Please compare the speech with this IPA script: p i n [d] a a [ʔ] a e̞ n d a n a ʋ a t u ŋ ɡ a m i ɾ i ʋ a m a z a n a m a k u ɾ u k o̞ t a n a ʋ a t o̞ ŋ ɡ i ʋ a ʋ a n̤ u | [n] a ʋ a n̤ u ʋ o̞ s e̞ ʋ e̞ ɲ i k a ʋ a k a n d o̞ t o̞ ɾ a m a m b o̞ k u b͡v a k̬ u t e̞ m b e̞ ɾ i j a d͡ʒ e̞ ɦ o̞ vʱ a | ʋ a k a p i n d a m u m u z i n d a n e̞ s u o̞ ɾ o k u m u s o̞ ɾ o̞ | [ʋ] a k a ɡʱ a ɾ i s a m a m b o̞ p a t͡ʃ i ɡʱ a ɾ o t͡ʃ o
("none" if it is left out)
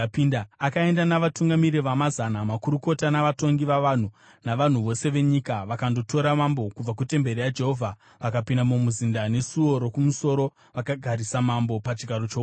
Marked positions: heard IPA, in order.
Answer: d, k, n, ʋ

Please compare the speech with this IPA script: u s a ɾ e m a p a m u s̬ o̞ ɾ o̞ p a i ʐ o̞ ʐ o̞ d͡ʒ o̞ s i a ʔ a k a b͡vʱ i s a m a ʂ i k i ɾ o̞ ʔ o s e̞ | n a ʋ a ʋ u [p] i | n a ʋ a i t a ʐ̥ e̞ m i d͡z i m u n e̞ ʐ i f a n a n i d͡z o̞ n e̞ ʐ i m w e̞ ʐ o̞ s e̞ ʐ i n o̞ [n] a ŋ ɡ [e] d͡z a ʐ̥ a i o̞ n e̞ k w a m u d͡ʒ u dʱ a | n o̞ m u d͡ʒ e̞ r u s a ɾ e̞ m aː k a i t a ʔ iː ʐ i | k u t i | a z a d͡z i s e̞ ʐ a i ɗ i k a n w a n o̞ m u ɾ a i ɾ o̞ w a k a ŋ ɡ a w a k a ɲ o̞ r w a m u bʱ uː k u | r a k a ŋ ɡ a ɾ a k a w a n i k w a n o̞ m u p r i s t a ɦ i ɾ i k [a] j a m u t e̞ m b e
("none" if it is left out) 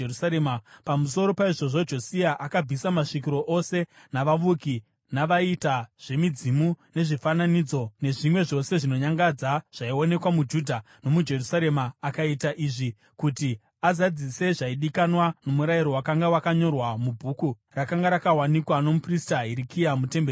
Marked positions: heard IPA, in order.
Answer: k, ɲ, a, i

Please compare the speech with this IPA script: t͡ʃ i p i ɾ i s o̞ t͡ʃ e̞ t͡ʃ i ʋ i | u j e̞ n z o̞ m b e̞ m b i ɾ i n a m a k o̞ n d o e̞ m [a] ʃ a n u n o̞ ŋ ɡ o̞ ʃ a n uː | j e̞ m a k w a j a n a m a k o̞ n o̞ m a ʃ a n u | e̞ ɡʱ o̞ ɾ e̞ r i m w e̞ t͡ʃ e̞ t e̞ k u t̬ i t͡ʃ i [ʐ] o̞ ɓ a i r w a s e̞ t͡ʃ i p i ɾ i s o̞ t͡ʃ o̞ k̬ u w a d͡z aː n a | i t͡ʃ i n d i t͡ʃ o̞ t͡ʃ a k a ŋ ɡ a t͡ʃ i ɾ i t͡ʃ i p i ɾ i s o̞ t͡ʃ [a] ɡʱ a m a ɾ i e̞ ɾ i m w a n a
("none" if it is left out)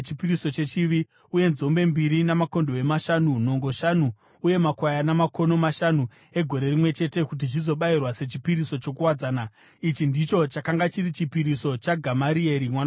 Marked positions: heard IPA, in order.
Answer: a, z, a

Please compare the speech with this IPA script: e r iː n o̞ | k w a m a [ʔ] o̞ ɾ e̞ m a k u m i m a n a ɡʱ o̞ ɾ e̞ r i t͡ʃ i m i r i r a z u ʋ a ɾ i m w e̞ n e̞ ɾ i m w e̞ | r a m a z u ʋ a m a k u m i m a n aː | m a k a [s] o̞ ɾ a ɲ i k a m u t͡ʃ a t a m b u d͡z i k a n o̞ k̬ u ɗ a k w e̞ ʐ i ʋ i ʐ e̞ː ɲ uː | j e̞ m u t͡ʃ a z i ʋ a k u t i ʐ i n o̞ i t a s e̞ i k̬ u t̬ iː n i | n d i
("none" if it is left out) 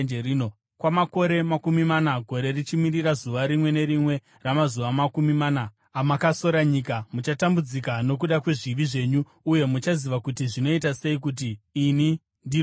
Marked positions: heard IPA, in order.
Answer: k, s

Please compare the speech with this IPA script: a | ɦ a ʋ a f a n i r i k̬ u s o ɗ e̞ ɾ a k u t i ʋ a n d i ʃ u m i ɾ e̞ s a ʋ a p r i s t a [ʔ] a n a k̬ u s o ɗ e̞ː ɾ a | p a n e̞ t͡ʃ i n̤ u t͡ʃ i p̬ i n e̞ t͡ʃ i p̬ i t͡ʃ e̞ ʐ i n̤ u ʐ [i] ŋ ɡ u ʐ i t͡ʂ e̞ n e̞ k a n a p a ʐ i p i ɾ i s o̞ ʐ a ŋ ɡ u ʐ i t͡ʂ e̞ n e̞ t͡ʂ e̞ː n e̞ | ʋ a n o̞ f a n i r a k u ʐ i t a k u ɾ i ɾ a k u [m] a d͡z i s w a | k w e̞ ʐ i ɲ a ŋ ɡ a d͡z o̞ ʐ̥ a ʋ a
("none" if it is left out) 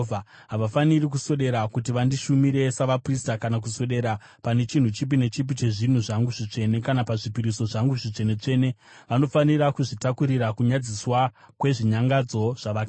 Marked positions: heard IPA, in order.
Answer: k, a, ɲ

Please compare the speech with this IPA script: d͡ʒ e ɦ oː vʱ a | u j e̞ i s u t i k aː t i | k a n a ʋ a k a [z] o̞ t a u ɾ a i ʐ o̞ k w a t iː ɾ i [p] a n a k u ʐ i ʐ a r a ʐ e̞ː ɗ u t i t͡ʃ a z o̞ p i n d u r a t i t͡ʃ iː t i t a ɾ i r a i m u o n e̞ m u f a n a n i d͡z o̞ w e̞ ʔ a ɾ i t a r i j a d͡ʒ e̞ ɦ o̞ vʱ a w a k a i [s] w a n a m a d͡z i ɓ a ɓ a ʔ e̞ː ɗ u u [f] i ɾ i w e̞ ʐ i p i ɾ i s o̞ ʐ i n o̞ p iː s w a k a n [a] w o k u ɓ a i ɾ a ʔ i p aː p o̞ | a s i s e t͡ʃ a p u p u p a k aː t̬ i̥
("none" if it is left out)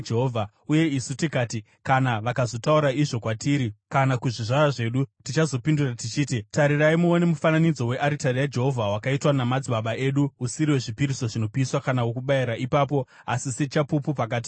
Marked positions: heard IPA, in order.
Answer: z, k, t, s, a

